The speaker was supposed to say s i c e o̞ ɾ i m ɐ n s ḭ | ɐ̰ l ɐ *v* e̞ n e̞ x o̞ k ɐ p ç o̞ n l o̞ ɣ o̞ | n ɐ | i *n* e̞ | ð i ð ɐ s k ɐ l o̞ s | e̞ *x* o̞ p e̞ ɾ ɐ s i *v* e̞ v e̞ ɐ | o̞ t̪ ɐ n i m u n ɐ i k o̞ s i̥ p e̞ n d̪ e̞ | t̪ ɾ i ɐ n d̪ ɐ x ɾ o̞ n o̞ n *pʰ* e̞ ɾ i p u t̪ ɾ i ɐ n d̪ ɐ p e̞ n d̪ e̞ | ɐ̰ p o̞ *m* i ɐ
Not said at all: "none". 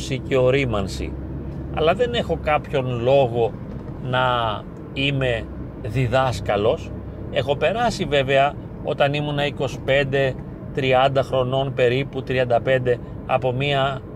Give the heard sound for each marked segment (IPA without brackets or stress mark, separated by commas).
ð, m, x, v, p, m